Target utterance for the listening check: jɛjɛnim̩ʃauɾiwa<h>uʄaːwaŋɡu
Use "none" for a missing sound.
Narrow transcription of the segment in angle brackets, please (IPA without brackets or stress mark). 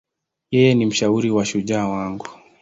ʃ